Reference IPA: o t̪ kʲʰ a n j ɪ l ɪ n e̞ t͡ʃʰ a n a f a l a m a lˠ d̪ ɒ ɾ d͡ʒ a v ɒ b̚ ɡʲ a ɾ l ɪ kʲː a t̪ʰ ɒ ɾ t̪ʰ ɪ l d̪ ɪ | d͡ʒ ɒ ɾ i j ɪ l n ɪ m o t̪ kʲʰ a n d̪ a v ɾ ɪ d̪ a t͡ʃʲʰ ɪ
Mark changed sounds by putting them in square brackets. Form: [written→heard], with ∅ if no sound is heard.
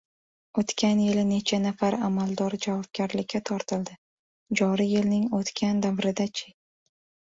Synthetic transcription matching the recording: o t̪ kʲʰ a n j ɪ l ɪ n e̞ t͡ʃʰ a n a f a [l→ɾ] a m a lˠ d̪ ɒ ɾ d͡ʒ a v ɒ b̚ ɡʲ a ɾ l ɪ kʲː a t̪ʰ ɒ ɾ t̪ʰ ɪ l d̪ ɪ | d͡ʒ ɒ ɾ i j ɪ l n ɪ [m→ŋ] o t̪ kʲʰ a n d̪ a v ɾ ɪ d̪ a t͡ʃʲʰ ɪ